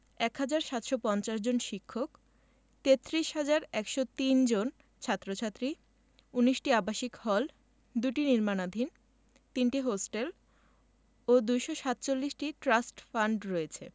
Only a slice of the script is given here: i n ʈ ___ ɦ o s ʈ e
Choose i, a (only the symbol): i